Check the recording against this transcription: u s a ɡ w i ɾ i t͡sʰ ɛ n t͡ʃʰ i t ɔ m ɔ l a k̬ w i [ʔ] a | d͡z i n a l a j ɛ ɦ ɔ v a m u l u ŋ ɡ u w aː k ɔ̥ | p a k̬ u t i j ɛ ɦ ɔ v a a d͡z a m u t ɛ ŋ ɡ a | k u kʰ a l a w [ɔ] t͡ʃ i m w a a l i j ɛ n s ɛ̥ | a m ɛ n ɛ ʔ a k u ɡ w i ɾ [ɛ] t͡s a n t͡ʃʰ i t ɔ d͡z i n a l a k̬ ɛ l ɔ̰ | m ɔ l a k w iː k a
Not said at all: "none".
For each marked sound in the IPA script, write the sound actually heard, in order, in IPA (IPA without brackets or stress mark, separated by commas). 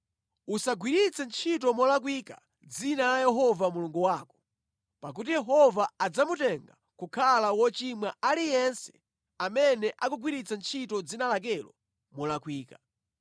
k, ɔ, i